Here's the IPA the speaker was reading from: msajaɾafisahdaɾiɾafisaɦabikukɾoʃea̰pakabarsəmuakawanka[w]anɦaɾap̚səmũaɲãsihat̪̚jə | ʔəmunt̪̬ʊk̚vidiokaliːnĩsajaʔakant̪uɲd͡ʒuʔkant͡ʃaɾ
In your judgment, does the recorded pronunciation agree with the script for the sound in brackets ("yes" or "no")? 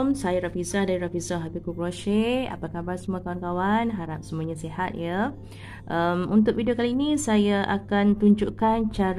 yes